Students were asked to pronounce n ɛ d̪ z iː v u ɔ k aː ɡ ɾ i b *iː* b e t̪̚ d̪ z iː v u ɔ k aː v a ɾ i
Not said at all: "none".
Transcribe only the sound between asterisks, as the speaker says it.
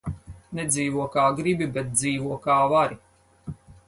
i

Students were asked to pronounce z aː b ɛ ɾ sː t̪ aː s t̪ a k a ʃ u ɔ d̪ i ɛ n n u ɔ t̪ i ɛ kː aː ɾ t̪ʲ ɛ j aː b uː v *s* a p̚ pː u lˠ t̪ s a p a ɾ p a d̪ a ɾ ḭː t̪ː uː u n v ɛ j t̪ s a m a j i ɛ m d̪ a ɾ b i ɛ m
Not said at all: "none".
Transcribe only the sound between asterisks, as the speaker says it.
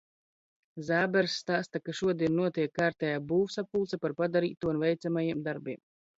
s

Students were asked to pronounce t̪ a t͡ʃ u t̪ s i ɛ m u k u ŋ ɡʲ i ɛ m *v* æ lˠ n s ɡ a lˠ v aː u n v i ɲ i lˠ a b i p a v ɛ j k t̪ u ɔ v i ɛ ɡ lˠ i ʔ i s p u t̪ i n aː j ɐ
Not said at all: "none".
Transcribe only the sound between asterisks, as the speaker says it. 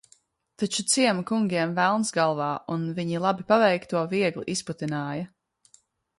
v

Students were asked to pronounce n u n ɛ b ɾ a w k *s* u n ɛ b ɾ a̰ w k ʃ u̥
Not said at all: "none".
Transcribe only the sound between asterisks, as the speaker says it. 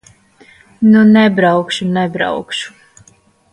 ʃ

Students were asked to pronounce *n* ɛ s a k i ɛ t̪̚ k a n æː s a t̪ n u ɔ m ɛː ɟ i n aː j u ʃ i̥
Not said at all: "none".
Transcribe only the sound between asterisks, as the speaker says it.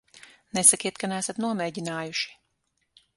n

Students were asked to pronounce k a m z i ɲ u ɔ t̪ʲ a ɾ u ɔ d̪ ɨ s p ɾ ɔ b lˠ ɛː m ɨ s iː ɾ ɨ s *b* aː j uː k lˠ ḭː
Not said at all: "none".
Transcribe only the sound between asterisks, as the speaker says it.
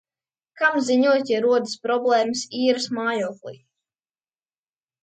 m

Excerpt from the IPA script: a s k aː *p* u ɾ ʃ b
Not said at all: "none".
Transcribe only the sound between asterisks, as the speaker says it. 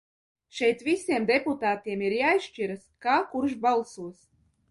k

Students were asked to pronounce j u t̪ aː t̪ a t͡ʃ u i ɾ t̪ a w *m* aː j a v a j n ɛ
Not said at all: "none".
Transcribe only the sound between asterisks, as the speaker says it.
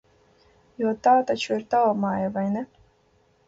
m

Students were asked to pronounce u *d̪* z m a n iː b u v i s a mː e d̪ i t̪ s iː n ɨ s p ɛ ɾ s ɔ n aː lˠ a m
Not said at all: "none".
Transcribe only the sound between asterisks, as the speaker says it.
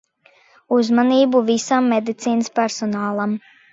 none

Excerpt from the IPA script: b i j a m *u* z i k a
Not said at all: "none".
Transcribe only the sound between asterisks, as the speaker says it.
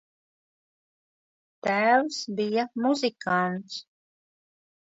u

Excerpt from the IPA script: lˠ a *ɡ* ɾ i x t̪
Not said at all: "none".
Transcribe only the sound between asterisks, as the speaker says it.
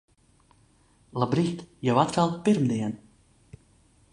b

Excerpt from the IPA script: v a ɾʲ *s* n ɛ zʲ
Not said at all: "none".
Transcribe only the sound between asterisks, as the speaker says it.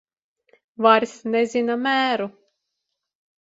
s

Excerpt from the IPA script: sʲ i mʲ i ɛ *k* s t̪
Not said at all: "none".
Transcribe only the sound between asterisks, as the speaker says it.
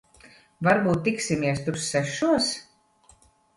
none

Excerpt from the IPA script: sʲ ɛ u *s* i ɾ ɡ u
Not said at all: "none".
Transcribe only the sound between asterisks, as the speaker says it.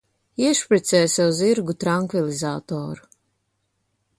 z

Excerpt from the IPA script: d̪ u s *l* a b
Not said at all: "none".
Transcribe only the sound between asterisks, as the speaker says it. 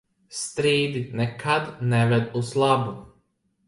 l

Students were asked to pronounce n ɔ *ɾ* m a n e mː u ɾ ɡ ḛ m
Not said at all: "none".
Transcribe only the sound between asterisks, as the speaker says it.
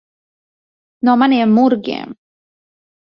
none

